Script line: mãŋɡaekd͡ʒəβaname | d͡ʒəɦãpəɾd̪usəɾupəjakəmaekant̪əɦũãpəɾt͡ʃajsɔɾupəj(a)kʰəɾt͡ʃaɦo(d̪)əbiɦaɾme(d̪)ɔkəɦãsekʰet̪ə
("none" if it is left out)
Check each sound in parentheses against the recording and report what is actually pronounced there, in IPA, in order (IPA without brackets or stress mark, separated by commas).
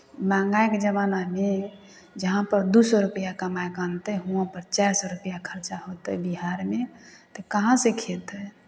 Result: a, t̪, t̪